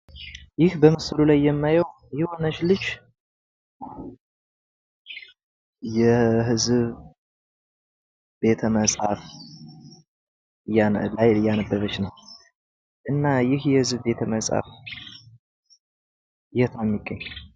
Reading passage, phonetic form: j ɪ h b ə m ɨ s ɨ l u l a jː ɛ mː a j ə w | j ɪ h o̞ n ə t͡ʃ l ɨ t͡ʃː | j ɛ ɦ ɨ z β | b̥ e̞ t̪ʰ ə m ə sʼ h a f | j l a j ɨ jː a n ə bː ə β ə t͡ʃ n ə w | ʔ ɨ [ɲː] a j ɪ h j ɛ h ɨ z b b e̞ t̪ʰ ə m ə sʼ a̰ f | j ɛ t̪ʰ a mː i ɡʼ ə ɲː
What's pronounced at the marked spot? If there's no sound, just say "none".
nː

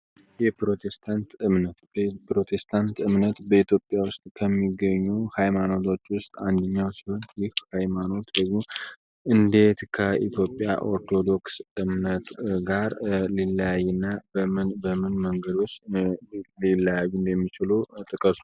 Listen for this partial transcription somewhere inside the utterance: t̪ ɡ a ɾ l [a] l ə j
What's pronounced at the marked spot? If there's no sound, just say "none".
i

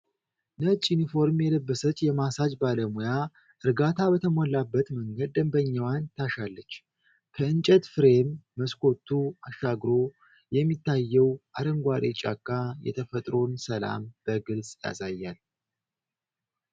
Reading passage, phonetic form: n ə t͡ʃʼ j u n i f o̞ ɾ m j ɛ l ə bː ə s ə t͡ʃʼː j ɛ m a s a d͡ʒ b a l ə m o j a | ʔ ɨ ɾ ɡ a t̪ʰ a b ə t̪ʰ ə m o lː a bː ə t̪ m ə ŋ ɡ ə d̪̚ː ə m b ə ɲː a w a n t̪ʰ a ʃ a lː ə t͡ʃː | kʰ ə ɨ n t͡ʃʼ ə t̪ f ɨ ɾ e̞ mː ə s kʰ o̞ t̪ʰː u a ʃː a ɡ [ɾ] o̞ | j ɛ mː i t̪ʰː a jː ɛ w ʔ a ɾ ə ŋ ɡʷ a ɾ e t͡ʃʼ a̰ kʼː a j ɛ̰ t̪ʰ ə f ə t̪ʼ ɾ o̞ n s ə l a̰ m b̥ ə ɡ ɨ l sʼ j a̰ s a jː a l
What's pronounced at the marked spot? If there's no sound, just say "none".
ɾ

